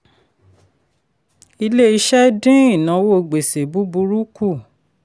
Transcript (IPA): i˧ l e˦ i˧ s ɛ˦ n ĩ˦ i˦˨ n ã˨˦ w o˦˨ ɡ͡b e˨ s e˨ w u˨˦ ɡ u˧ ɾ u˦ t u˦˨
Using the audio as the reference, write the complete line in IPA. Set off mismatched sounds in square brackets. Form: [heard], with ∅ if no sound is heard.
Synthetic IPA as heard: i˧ l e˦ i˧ [ʃ] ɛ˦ [d] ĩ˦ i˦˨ n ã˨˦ w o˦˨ ɡ͡b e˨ s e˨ [b] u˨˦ [b] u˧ ɾ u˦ [k] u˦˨

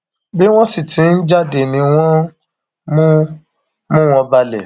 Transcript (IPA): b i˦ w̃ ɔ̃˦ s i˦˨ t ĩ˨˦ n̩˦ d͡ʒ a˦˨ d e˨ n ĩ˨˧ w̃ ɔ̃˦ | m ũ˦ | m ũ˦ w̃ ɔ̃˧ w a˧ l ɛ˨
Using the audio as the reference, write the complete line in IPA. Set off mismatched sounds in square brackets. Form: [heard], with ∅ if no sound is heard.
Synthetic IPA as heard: b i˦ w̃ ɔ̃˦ s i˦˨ t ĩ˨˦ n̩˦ d͡ʒ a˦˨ d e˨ n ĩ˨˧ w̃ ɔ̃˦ | m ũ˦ | m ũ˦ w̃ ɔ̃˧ [b] a˧ l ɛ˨

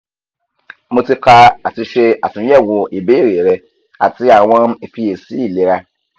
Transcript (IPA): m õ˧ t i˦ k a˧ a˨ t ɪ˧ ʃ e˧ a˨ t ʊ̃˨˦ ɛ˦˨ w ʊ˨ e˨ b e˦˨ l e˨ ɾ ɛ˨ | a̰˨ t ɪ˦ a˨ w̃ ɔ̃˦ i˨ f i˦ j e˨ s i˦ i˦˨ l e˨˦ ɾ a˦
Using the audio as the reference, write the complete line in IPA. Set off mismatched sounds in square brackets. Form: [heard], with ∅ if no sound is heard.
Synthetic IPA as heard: m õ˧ t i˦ k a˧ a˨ t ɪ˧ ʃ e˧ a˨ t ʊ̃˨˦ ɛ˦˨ w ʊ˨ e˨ b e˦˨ [ɾ] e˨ ɾ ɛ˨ | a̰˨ t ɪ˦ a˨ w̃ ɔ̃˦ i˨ f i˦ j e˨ s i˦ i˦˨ l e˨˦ ɾ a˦

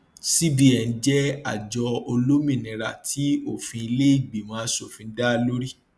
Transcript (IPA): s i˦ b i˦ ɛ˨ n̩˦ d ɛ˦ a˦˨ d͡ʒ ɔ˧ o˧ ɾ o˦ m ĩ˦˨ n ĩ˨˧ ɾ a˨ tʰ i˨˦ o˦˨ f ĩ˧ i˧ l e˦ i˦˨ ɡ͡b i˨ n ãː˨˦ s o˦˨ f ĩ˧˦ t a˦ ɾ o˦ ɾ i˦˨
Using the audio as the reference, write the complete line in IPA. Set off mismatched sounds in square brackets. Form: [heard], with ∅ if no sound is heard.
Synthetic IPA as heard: s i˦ b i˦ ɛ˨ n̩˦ [d͡ʒ] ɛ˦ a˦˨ d͡ʒ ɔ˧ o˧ [l] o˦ m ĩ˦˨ n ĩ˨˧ ɾ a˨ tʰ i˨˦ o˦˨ f ĩ˧ i˧ l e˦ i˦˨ ɡ͡b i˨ [m] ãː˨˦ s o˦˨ f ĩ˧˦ [d] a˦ [l] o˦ ɾ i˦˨

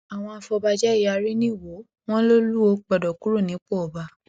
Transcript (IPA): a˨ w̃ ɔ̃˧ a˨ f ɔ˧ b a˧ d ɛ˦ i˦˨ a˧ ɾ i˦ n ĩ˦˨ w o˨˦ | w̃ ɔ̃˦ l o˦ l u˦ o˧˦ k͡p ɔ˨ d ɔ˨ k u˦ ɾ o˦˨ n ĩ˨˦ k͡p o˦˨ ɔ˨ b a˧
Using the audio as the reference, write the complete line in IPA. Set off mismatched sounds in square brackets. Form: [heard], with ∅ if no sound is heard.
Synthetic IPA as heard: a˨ w̃ ɔ̃˧ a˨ f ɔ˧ b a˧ [d͡ʒ] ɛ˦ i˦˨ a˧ ɾ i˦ n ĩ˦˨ w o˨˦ | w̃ ɔ̃˦ l o˦ l u˦ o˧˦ k͡p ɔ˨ d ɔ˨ k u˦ ɾ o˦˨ n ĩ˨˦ k͡p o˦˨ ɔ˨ b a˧

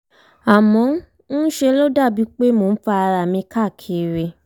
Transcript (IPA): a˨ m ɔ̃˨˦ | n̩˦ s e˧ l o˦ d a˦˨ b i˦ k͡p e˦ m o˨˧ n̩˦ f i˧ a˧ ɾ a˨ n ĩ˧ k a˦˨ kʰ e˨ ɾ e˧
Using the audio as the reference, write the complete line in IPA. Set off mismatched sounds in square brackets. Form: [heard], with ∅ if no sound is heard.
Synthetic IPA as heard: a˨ m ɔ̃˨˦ | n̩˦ [ʃ] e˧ l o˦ d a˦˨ b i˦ k͡p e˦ m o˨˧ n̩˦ f [a˧] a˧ ɾ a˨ [m] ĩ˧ k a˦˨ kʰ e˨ ɾ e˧

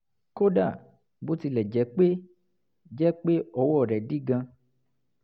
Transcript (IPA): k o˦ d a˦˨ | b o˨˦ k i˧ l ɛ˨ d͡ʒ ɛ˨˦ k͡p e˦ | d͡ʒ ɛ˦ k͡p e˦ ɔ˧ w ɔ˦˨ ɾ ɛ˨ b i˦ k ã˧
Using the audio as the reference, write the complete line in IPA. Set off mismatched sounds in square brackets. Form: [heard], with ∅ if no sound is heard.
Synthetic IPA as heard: k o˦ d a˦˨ | b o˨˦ [t] i˧ l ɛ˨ d͡ʒ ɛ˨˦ k͡p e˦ | d͡ʒ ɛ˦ k͡p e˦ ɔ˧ w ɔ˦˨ ɾ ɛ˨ [d] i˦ [ɡ] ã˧

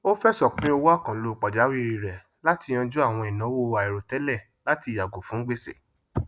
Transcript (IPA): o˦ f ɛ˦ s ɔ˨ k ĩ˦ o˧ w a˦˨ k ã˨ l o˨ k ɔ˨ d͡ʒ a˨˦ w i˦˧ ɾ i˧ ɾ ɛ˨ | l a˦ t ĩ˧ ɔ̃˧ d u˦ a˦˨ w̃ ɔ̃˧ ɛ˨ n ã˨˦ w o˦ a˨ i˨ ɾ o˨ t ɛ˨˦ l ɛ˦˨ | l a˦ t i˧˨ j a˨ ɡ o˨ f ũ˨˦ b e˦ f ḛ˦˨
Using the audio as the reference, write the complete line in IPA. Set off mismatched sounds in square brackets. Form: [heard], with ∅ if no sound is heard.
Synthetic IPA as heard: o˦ f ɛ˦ s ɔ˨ [k͡p] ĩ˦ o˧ w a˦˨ k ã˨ l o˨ [k͡p] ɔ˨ d͡ʒ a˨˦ w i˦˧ ɾ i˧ ɾ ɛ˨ | l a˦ t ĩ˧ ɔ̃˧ [d͡ʒ] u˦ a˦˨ w̃ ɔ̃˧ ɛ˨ n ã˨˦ w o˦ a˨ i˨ ɾ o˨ t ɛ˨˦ l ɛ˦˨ | l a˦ t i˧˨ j a˨ ɡ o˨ f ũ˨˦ [ɡ͡b] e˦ [s] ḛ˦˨

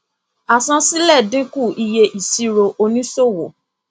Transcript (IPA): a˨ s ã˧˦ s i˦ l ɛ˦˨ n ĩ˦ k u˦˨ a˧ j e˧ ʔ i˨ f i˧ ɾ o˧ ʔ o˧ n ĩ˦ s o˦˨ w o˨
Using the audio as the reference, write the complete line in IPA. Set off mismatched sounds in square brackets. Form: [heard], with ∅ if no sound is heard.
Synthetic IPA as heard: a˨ s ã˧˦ s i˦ l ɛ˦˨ [d] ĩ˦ k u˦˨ [i˧] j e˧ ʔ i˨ [s] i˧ ɾ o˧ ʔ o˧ n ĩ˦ s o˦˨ w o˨

